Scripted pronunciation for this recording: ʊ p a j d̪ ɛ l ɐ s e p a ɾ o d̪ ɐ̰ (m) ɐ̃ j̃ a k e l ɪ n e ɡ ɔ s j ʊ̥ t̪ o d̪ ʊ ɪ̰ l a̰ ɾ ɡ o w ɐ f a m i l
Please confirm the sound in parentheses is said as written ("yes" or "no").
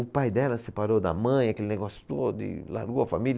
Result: yes